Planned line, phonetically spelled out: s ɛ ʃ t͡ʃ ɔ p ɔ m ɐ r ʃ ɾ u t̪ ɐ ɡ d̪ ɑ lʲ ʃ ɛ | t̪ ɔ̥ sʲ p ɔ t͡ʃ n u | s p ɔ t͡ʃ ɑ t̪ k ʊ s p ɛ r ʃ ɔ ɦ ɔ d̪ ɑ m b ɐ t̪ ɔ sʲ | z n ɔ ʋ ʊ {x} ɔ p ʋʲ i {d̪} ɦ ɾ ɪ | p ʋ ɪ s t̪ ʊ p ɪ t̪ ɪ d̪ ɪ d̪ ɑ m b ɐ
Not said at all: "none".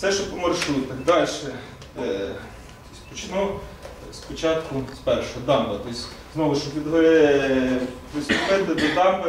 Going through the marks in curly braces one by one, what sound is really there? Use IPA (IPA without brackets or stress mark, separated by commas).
ʃ, d̪